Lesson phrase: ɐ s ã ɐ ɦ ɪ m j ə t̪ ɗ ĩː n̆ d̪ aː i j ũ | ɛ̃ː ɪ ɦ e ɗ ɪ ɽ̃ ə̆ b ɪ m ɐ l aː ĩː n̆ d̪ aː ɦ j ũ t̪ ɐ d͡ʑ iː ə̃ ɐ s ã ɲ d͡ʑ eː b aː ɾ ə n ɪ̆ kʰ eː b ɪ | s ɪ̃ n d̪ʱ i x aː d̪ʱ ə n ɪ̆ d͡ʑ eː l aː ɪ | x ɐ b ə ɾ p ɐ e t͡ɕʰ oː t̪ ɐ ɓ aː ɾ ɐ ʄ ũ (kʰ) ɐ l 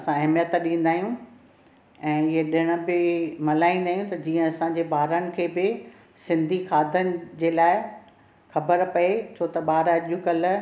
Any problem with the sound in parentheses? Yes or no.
yes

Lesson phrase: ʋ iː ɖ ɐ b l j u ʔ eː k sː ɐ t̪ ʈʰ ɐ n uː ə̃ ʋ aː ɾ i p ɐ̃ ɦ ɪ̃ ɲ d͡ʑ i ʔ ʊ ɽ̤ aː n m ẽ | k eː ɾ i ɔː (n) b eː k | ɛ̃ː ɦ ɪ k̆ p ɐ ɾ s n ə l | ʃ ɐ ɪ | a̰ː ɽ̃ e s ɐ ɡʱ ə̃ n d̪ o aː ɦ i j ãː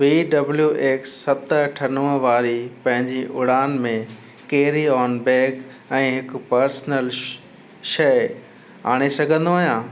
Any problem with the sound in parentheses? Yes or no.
no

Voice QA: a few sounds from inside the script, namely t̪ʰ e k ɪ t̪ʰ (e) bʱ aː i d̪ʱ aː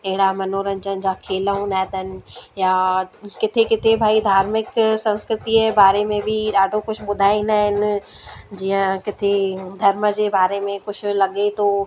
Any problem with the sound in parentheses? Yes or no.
no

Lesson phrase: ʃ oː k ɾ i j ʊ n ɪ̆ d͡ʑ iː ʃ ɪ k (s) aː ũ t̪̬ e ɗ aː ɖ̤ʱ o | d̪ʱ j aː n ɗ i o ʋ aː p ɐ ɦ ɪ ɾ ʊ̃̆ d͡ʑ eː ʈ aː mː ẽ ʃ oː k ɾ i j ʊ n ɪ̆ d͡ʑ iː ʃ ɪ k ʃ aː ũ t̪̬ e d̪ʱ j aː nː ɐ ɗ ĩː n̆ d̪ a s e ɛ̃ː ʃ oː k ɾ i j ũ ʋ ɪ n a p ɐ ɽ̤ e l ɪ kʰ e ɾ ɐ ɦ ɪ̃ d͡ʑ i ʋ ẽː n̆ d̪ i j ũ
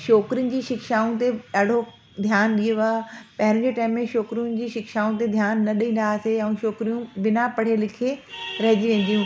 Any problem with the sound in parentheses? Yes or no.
yes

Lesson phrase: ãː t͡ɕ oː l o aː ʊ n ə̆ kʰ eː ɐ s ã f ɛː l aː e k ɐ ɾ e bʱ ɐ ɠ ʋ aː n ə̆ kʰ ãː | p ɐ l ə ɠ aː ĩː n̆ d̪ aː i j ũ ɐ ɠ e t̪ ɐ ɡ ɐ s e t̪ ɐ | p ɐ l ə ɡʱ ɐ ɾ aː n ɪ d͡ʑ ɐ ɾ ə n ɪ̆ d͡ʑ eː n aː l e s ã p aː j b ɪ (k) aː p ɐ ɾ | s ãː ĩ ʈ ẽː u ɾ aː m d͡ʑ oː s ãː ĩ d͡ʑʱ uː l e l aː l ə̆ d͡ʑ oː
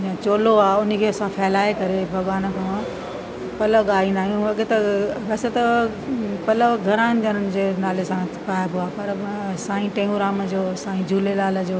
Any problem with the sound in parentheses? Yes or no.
yes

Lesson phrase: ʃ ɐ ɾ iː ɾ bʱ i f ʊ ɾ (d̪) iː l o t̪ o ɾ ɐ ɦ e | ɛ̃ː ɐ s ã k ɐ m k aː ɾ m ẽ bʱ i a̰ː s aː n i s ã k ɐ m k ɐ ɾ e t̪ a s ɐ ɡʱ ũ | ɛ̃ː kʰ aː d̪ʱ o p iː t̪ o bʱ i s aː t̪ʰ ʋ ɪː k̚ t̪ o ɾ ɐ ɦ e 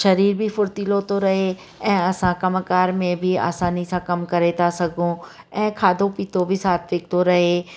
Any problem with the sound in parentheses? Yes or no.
yes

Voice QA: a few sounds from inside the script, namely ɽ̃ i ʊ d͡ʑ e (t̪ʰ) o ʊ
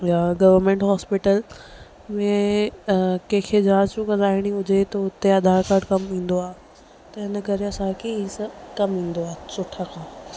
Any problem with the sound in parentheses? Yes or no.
yes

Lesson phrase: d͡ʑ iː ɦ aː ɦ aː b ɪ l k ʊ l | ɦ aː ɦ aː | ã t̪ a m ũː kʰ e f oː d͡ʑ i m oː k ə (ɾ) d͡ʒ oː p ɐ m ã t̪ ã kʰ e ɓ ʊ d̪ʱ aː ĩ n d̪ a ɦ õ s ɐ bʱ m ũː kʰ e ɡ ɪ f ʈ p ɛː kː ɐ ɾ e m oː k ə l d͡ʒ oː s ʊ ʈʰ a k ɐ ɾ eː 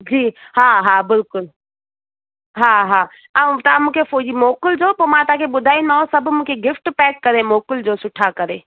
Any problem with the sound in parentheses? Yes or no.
yes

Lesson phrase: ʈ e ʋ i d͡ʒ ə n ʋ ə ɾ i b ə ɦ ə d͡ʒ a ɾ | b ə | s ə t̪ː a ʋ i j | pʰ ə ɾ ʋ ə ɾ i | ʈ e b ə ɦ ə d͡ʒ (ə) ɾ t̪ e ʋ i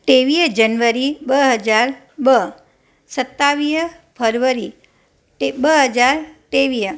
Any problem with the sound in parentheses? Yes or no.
yes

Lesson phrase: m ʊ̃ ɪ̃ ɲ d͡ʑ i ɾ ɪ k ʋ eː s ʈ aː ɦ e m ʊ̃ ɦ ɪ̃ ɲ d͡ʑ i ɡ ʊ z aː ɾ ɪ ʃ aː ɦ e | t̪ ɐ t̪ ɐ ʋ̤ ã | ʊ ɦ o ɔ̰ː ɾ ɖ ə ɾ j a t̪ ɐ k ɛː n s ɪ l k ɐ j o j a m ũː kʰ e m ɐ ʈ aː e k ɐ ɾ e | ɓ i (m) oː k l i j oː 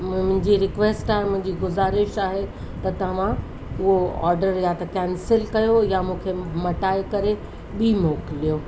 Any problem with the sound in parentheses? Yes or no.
no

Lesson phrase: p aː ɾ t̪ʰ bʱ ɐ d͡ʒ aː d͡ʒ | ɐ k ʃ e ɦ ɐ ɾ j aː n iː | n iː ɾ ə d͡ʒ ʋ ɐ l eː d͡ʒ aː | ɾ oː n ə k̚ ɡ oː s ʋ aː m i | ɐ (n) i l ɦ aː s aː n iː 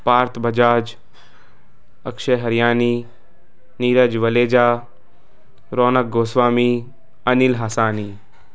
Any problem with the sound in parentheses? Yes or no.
no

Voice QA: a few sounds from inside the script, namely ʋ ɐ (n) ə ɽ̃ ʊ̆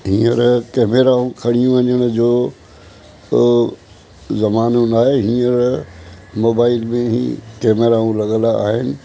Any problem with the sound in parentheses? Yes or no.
yes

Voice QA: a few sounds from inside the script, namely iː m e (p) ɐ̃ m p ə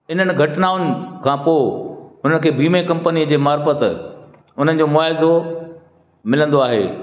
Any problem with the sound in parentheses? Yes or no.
yes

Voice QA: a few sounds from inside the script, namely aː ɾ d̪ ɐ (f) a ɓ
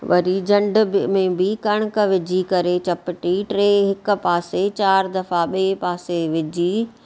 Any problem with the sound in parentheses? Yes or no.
no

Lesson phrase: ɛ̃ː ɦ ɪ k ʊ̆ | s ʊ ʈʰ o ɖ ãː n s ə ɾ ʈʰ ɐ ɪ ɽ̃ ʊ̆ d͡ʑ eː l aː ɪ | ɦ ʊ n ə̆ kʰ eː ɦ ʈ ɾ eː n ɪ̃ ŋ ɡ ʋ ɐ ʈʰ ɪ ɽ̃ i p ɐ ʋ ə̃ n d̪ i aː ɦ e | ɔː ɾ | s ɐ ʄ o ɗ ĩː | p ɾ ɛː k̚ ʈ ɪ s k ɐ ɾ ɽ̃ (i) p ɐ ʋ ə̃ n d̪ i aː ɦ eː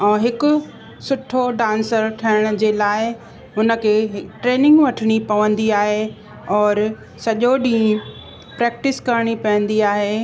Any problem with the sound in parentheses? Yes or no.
no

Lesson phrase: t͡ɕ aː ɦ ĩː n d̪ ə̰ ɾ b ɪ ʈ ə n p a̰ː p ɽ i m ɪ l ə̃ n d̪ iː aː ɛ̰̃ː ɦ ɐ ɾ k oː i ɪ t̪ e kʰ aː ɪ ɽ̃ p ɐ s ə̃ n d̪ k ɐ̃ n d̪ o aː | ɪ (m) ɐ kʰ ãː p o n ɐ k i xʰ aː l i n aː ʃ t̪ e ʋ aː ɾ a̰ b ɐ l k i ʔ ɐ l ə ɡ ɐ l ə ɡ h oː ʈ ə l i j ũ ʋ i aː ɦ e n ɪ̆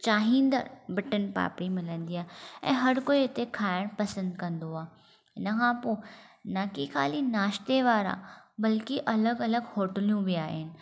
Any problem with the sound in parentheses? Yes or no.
yes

